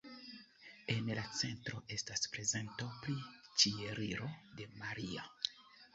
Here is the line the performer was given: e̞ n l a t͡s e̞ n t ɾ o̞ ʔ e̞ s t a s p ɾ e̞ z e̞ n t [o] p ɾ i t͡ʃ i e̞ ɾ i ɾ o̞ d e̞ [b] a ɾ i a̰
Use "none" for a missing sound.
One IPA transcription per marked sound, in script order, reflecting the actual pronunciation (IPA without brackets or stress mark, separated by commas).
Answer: o, m